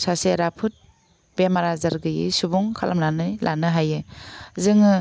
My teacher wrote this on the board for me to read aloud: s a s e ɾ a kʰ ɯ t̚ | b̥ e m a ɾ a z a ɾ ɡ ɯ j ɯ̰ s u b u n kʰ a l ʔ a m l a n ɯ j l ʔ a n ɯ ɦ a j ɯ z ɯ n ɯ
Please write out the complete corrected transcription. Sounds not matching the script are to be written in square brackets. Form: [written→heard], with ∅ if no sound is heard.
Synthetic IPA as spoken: s a s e ɾ a [kʰ→pʰ] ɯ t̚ | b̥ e m a ɾ a z a ɾ ɡ ɯ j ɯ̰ s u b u [n→ŋ] kʰ a l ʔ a m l a n ɯ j l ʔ a n ɯ ɦ a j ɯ z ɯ [n→ŋ] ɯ